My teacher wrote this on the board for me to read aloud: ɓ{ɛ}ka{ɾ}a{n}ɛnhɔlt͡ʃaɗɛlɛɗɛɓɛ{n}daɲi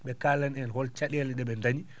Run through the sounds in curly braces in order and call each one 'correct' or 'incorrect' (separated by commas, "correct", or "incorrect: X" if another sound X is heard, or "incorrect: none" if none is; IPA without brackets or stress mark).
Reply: correct, incorrect: l, correct, correct